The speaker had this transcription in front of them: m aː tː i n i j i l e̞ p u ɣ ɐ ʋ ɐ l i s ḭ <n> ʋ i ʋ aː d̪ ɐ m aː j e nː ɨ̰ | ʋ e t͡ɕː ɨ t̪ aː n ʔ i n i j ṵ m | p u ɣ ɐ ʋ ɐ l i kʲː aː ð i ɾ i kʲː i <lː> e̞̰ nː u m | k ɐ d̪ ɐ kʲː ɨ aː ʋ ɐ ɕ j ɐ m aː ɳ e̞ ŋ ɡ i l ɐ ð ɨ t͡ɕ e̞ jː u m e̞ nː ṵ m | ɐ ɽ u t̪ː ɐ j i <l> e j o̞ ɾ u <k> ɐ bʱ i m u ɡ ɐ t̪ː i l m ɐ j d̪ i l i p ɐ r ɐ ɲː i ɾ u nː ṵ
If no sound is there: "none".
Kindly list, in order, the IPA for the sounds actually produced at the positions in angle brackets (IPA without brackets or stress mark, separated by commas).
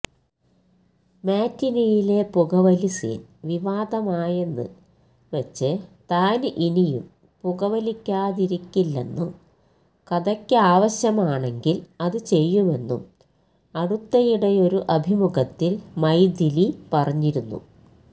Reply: n, lː, ɽ, ʔ